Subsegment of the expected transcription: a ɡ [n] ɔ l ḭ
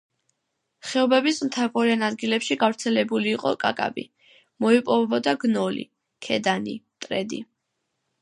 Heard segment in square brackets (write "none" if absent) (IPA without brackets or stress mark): n